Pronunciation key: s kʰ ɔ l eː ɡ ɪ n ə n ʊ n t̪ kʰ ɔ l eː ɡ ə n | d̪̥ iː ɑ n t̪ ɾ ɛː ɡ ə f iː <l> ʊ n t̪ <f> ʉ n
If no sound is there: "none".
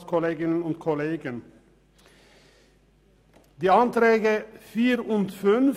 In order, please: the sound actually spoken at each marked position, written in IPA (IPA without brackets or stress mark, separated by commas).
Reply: ɾ, f